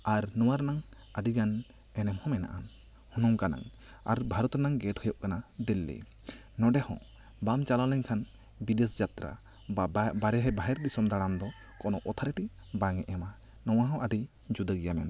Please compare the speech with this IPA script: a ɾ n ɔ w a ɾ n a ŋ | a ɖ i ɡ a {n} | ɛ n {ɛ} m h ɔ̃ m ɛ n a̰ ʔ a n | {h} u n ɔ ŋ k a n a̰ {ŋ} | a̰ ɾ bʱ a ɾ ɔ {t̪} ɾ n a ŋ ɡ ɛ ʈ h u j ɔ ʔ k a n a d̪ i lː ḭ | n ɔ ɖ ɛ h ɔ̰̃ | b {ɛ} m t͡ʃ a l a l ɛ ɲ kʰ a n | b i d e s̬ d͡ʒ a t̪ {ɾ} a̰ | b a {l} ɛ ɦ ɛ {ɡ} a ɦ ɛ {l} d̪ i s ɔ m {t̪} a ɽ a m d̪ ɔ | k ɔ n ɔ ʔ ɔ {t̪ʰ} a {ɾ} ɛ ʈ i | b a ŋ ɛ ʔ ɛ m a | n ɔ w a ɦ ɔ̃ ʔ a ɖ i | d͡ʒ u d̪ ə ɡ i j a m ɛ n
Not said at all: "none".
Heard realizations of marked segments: n, ɛ, h, ŋ, t̪, a, ɾ, ɾ, b, ɾ, d̪, t̪ʰ, ɾ

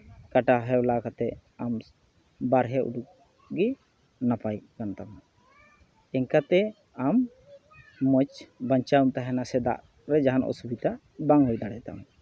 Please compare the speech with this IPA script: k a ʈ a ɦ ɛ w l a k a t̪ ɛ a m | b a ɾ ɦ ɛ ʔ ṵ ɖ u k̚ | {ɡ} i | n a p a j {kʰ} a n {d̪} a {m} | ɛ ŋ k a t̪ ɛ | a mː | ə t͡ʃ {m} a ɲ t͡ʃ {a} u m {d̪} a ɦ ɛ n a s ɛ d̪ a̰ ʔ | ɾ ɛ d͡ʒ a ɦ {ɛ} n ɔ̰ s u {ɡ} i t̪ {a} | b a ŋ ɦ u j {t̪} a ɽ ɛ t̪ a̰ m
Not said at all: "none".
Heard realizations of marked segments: ɡ, k, t̪, m, b, a, t̪, a, b, a, d̪

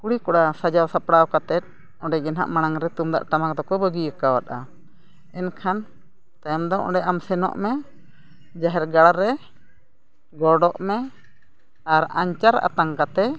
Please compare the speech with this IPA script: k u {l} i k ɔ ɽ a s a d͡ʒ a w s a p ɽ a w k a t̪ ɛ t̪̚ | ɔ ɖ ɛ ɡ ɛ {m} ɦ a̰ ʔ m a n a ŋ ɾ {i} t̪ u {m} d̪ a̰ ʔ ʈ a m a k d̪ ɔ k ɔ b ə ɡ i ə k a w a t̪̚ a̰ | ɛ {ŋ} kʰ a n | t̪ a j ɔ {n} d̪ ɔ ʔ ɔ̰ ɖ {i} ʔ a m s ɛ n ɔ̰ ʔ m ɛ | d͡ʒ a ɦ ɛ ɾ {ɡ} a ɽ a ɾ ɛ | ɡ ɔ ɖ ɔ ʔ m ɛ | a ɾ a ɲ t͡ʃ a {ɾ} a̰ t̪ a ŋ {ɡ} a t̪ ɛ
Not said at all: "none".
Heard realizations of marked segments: ɽ, n, ɛ, m, n, m, ɛ, ɡ, ɾ, k

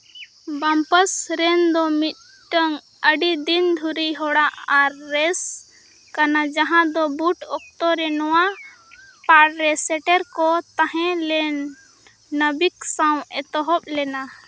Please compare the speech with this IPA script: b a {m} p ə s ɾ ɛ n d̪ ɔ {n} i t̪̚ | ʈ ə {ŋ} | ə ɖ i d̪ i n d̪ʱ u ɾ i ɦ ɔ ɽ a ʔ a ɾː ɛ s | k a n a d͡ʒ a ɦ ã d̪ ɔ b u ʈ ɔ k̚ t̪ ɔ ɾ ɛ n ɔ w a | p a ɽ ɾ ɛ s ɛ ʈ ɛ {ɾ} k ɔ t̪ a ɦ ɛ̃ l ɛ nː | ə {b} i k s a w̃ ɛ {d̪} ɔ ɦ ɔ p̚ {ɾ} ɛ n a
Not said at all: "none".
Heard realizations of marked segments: m, m, ŋ, ɾ, b, t̪, l

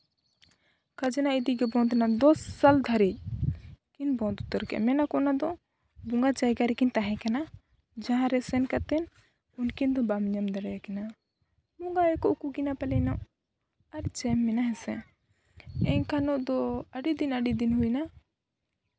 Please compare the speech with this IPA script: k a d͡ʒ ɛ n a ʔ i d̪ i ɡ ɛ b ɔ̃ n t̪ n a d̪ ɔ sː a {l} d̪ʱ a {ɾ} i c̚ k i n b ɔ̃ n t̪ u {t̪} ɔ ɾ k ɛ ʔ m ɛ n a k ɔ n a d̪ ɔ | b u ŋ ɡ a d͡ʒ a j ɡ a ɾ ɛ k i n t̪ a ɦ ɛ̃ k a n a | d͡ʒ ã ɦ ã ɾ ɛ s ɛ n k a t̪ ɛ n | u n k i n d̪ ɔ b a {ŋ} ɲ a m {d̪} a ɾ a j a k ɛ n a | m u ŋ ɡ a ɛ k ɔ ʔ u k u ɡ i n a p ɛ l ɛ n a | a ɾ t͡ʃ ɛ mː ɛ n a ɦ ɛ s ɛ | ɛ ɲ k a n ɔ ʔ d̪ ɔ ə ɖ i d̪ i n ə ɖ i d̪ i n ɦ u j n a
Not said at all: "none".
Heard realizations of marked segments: l, ɾ, t̪, m, d̪

